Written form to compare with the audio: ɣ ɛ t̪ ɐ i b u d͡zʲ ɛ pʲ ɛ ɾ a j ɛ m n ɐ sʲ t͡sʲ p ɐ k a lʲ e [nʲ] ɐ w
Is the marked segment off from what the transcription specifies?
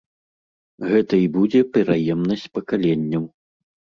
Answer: yes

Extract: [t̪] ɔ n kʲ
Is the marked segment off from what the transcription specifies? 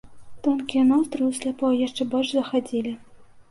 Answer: no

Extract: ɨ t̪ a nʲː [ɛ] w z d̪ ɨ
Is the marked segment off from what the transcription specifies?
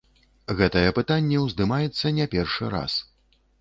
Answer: no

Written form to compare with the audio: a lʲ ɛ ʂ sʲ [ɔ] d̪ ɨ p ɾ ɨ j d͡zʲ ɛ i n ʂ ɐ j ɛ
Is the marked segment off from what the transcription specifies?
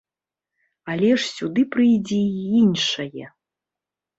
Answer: yes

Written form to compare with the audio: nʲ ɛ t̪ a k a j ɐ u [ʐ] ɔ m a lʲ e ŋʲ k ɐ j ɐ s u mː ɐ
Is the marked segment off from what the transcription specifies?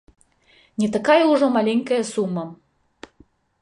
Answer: no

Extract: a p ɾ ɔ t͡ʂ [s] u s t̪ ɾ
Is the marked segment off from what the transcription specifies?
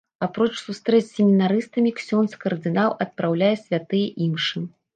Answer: no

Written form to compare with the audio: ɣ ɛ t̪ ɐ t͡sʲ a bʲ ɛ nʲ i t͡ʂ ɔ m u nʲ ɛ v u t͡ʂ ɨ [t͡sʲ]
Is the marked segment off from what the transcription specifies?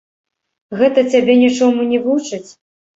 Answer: no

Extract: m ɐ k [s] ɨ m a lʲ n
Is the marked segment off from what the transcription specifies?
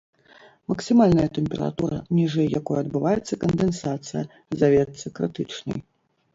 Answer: no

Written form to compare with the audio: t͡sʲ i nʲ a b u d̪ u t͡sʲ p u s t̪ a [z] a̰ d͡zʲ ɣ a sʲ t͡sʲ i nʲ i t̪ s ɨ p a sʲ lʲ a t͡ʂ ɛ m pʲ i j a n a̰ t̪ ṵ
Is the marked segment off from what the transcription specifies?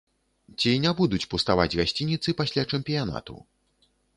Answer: yes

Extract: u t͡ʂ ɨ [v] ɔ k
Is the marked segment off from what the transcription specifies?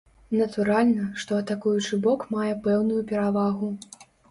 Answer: yes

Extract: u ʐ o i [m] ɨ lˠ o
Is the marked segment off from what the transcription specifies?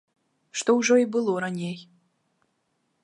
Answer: yes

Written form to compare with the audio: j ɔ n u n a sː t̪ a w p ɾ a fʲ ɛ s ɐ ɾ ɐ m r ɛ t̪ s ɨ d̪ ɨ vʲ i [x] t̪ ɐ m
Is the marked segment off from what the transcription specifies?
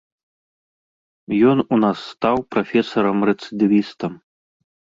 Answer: yes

